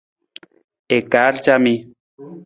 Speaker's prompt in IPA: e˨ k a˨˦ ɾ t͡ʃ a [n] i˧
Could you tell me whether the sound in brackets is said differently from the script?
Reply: yes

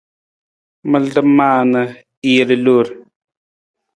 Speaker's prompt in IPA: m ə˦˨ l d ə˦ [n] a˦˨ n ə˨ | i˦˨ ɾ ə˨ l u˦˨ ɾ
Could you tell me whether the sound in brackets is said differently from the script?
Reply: yes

